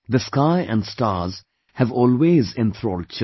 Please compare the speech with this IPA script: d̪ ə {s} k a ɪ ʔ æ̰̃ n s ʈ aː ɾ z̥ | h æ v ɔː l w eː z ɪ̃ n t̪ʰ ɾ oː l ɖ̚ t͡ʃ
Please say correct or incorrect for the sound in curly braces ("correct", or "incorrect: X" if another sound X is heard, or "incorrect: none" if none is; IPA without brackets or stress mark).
correct